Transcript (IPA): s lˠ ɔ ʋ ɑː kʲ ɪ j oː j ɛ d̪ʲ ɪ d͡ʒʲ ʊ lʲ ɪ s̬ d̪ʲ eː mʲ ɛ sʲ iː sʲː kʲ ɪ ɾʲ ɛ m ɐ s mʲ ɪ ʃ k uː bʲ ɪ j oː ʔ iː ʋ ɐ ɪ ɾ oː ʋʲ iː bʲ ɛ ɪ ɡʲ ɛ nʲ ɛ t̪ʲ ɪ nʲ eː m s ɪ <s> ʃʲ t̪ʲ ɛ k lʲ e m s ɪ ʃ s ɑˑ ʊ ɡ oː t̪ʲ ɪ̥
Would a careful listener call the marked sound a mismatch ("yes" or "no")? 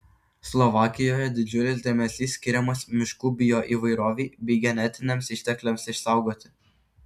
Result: yes